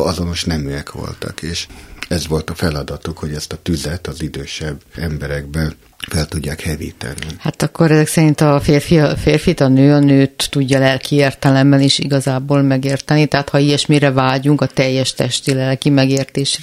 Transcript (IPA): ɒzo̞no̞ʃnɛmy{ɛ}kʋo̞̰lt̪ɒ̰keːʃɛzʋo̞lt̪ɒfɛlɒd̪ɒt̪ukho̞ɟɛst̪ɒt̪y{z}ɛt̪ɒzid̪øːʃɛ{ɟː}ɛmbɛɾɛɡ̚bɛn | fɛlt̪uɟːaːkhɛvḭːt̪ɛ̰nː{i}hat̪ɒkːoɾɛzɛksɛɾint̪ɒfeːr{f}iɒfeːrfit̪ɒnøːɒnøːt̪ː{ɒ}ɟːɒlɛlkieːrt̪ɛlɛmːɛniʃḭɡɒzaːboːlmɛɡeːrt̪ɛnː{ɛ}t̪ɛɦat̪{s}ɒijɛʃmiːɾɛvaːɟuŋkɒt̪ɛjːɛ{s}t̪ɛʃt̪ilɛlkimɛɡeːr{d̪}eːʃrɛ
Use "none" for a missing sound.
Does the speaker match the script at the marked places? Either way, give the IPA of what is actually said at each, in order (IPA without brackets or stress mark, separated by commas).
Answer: ɛ, z, bː, i, f, u, i, h, ʃ, t̪